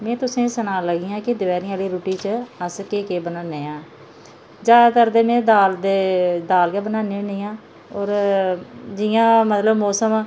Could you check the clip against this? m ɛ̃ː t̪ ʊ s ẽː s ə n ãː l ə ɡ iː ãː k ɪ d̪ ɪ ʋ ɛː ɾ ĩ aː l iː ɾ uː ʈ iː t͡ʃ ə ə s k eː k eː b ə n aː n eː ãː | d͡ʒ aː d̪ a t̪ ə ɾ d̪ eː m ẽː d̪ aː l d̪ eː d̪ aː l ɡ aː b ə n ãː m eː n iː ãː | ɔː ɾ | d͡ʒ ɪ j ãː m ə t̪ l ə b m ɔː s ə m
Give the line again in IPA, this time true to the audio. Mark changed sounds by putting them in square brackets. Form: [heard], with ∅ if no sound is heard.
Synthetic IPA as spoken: m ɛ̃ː t̪ ʊ s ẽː s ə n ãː l ə ɡ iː ãː k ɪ d̪ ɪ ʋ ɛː ɾ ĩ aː l iː ɾ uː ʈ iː t͡ʃ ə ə s k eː k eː b ə n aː n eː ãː | d͡ʒ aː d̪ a t̪ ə ɾ d̪ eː m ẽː d̪ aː l d̪ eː d̪ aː l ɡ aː b ə n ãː [n] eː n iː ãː | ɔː ɾ | d͡ʒ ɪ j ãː m ə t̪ l ə b m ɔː s ə m